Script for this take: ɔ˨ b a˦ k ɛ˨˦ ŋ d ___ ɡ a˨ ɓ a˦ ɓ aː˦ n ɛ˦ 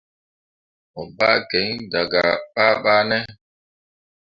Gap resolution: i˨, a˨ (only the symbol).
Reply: a˨